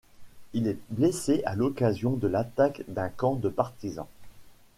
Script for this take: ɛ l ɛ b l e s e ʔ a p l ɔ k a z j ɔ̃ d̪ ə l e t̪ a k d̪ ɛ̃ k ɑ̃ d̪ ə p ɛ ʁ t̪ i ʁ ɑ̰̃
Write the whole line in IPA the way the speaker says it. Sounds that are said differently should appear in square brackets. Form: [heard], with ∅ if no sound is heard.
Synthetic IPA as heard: [i] l ɛ b l e s e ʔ a [∅] l ɔ k a z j ɔ̃ d̪ ə l [a] t̪ a k d̪ ɛ̃ k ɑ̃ d̪ ə p [a] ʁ t̪ i [z] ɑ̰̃